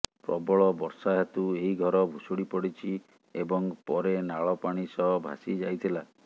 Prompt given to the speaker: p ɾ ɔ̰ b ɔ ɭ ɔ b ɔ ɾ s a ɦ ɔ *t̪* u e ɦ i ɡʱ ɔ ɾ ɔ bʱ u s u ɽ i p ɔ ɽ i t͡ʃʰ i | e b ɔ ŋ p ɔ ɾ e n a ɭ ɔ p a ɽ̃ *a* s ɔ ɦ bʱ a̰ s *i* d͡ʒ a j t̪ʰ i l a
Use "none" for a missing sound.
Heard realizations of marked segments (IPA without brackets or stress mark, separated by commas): t̪, i, i